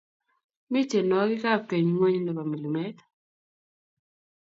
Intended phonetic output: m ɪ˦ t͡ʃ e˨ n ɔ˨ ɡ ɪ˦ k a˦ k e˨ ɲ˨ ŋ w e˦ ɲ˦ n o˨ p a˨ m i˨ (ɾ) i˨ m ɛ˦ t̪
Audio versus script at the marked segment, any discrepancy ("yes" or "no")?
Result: yes